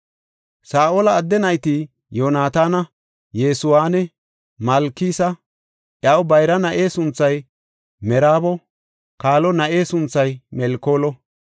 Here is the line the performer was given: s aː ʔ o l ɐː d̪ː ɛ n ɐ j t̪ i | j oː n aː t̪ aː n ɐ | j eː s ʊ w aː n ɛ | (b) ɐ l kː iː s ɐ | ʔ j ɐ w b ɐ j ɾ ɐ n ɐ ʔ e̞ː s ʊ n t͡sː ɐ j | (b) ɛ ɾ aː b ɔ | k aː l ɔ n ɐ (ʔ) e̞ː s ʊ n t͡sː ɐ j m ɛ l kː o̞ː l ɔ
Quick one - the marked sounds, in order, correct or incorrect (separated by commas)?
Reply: incorrect, incorrect, correct